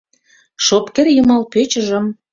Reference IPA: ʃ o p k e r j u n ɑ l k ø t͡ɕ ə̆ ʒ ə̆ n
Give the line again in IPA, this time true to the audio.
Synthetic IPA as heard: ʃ o p k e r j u m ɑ l p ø t͡ɕ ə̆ ʒ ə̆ m